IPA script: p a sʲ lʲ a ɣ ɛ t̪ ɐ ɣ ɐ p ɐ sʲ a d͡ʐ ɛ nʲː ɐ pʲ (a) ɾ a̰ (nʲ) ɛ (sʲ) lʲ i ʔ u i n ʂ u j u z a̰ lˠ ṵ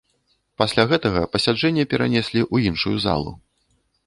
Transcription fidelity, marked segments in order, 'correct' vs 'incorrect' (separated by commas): incorrect, correct, correct